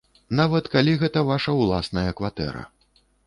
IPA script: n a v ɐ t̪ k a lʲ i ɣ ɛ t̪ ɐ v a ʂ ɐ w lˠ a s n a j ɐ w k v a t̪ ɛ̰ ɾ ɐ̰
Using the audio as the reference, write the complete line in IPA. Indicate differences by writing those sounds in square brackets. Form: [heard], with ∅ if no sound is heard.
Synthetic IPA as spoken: n a v ɐ t̪ k a lʲ i ɣ ɛ t̪ ɐ v a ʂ ɐ w lˠ a s n [ɐ] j ɐ [∅] k v a t̪ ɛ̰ ɾ ɐ̰

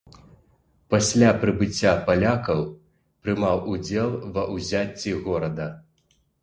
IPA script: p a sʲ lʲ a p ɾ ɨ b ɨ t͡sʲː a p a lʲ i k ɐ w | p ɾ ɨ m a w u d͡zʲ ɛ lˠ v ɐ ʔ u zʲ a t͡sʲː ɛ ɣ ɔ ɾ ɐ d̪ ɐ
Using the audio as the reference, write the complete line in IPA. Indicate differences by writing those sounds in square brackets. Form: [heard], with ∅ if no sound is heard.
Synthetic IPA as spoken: p a sʲ lʲ a p ɾ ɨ b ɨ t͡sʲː a p a lʲ [a] k ɐ w | p ɾ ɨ m a w u d͡zʲ ɛ lˠ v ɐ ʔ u zʲ a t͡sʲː [i] ɣ ɔ ɾ ɐ d̪ ɐ

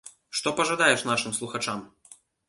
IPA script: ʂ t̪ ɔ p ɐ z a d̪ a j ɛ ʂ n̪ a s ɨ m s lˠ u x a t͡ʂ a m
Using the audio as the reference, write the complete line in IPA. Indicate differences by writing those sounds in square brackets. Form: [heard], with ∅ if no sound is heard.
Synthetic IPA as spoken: ʂ t̪ ɔ p ɐ [ʐ] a d̪ a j ɛ ʂ n̪ a [ʂ] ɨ m s lˠ u x a t͡ʂ a m

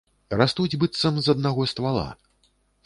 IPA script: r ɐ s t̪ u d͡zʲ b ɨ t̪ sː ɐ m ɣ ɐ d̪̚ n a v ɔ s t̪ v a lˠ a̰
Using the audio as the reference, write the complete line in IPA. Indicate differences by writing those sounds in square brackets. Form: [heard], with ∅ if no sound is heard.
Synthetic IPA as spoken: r [a] s t̪ u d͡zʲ b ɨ t̪ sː ɐ m [z] ɐ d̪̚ n a [ɣ] ɔ s t̪ v a lˠ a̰

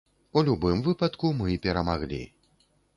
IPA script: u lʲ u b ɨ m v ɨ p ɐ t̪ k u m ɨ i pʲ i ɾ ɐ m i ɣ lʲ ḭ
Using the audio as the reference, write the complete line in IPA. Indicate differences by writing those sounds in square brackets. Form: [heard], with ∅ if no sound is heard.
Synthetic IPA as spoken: u lʲ u b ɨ m v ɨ p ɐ t̪ k u m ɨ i pʲ [ɛ] ɾ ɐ m [a] ɣ lʲ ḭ

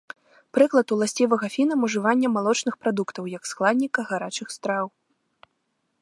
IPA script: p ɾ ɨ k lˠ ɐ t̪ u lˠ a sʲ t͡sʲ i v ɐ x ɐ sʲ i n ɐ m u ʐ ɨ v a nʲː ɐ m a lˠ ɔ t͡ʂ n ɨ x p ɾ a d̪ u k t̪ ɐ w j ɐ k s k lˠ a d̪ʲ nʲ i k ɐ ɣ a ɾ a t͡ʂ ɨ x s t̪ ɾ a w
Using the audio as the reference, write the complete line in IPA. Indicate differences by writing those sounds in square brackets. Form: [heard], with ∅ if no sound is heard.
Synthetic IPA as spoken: p ɾ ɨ k lˠ ɐ t̪ u lˠ a sʲ t͡sʲ i v ɐ [ɣ] ɐ [fʲ] i n ɐ m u ʐ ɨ v a nʲː ɐ m a lˠ ɔ t͡ʂ n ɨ x p ɾ a d̪ u k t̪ ɐ w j ɐ k s k lˠ a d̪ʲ nʲ i k ɐ ɣ a ɾ a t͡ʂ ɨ x s t̪ ɾ a w

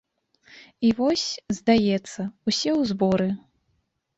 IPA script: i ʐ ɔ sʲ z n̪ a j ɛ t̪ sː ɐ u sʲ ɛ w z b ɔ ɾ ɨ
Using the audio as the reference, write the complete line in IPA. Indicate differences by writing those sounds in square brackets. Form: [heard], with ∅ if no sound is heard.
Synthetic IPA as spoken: i [v] ɔ sʲ z [d̪] a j ɛ t̪ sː ɐ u sʲ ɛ w z b ɔ ɾ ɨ

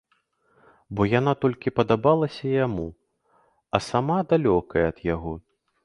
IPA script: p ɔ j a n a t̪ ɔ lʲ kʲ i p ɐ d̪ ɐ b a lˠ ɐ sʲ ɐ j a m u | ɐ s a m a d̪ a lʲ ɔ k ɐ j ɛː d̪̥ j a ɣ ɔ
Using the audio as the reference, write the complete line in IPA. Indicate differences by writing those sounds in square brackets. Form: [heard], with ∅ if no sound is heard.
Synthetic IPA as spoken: [b] ɔ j a n a t̪ ɔ lʲ kʲ i p ɐ d̪ [a] b a lˠ ɐ sʲ ɐ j a m u | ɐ s a m a d̪ a lʲ ɔ k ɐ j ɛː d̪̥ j a ɣ ɔ

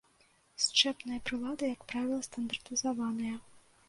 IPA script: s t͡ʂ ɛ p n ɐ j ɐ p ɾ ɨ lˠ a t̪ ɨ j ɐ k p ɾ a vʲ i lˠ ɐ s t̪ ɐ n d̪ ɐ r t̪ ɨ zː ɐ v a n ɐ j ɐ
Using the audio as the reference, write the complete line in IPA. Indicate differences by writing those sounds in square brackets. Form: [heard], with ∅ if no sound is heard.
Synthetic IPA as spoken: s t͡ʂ ɛ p n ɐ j ɐ p ɾ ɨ lˠ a [d̪] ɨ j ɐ k p ɾ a vʲ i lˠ ɐ s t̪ ɐ n d̪ ɐ r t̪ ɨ [z] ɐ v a n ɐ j ɐ

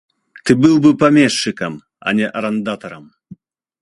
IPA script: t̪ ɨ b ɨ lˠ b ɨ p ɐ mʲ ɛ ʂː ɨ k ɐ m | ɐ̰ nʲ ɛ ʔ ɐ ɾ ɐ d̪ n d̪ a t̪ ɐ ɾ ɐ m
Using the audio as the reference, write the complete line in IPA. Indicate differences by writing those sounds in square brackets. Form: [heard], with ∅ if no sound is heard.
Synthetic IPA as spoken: t̪ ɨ b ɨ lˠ b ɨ p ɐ mʲ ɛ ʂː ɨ k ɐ m | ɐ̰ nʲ ɛ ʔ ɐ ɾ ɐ [∅] n d̪ a t̪ ɐ ɾ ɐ m

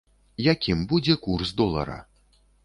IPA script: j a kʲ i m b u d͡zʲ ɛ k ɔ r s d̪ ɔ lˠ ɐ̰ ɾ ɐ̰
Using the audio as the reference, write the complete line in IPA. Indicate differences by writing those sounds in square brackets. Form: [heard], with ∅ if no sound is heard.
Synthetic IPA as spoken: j a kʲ i m b u d͡zʲ ɛ k [u] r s d̪ ɔ lˠ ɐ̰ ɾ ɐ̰

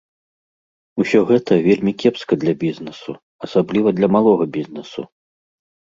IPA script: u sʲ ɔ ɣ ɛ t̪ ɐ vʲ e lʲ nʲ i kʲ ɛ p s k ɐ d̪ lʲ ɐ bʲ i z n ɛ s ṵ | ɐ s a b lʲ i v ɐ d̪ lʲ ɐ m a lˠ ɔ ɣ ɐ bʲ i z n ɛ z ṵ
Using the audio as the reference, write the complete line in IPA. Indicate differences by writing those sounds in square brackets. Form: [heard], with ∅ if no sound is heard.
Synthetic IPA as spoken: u sʲ ɔ ɣ ɛ t̪ ɐ vʲ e lʲ [mʲ] i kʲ ɛ p s k ɐ d̪ lʲ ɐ bʲ i z n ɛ s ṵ | ɐ s a b lʲ i v ɐ d̪ lʲ ɐ m a lˠ ɔ ɣ ɐ bʲ i z n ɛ [s] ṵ

